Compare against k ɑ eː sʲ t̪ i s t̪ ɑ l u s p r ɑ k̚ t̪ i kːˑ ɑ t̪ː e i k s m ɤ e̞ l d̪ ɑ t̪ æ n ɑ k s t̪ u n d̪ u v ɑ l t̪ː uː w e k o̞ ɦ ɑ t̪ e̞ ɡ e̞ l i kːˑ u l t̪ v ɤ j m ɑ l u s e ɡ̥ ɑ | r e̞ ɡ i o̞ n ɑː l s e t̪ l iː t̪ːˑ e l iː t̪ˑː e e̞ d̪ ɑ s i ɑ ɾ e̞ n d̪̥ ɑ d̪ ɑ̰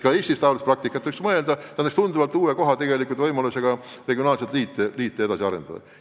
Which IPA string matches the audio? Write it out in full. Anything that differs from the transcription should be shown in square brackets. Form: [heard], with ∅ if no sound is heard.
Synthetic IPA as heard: k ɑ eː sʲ t̪ i s t̪ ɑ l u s p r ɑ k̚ t̪ i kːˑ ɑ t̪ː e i k s m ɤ e̞ l d̪ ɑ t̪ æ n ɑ k s t̪ u n d̪ u v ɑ l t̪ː uː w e k o̞ ɦ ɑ t̪ e̞ ɡ e̞ l i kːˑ u l t̪ v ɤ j m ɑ l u s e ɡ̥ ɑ | r e̞ ɡ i o̞ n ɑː l s e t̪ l iː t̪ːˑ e l iː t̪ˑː e e̞ d̪ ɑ s i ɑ ɾ e̞ n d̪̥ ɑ d̪ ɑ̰